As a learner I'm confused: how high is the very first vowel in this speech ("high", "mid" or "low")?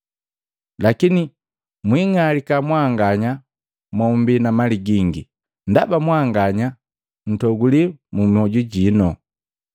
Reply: low